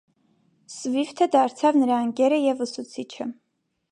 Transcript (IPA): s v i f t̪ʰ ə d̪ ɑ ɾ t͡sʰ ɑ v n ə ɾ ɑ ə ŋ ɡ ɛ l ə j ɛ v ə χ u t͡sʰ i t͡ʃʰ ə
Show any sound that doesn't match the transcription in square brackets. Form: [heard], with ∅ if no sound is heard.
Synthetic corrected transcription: s v i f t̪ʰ ə d̪ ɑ ɾ t͡sʰ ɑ v n ə ɾ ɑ ə ŋ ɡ ɛ [ɾ] ə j ɛ v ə [s] u t͡sʰ i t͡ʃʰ ə